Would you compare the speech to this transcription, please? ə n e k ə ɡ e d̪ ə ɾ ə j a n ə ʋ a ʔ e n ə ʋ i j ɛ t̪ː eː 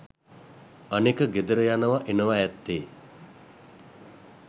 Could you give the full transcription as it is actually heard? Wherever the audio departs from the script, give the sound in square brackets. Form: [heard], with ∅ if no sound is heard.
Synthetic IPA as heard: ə n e k ə ɡ e d̪ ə ɾ ə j a n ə ʋ a ʔ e n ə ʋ [a] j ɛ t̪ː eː